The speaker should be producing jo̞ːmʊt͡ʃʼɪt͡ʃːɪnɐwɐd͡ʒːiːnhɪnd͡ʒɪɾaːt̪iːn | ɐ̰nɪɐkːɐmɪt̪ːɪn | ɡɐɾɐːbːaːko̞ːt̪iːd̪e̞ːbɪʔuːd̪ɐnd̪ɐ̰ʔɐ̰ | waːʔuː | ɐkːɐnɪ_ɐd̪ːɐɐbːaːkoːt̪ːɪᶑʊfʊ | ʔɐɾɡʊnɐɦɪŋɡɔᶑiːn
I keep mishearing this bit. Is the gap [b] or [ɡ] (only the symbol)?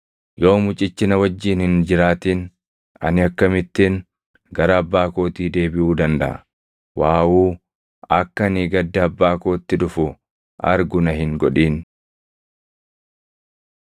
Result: ɡ